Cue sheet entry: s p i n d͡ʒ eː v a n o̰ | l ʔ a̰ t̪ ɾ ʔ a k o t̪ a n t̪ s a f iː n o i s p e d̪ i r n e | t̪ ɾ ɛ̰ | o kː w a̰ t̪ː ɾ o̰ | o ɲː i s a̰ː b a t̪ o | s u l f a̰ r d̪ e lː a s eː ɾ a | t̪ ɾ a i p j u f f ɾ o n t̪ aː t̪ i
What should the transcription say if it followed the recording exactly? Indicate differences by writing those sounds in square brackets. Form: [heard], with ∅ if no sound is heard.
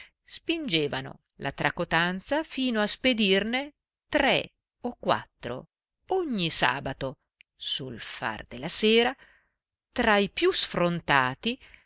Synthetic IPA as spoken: s p i n d͡ʒ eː v a n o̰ | l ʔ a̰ t̪ ɾ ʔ a k o t̪ a n t̪ s a f iː n o [a] s p e d̪ i r n e | t̪ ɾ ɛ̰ | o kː w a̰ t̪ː ɾ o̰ | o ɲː i s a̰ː b a t̪ o | s u l f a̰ r d̪ e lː a s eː ɾ a | t̪ ɾ a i p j u [s] f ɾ o n t̪ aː t̪ i